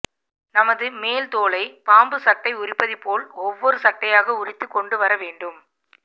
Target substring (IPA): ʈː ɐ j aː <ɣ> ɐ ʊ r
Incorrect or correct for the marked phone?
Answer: correct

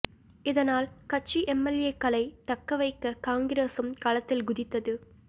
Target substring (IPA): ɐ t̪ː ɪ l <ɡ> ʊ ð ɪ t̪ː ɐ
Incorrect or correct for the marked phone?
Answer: correct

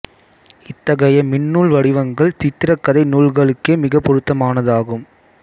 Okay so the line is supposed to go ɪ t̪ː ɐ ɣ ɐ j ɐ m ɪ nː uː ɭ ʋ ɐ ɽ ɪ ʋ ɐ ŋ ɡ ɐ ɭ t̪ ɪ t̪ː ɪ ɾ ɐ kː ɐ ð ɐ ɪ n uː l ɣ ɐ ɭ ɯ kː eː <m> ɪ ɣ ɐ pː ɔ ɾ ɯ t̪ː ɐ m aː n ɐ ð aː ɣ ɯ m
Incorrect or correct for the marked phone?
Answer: correct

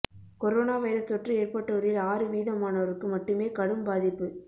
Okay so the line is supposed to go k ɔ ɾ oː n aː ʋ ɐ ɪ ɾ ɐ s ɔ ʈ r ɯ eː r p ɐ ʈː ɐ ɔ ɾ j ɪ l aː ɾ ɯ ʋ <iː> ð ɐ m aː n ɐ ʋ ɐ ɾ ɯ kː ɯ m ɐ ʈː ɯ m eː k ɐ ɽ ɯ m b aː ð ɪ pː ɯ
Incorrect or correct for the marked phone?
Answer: correct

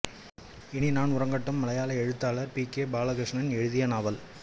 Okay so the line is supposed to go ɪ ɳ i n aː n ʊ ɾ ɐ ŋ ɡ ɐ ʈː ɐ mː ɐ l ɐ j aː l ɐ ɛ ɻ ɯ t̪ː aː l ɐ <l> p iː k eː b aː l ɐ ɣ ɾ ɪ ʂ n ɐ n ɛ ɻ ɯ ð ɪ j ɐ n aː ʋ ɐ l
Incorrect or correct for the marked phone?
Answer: incorrect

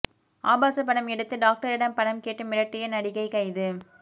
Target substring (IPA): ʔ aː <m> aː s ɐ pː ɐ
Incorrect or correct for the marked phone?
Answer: incorrect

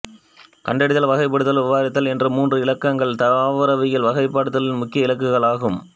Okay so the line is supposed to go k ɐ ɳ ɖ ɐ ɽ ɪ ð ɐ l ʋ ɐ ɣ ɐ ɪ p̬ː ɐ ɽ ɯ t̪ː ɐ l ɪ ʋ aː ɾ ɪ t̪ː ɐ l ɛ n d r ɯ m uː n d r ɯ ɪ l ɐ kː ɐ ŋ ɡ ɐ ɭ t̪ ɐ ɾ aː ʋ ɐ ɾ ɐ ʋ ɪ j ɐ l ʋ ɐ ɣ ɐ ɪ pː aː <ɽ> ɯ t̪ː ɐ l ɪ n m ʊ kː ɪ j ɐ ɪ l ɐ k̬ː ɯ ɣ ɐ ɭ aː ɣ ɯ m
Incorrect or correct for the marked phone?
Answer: correct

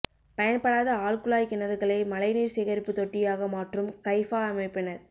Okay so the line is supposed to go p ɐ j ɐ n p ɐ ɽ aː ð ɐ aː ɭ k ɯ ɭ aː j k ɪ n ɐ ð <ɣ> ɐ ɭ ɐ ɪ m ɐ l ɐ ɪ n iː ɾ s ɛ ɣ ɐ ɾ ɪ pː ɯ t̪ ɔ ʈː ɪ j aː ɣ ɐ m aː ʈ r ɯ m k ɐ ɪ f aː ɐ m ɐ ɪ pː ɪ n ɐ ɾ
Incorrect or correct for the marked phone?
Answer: correct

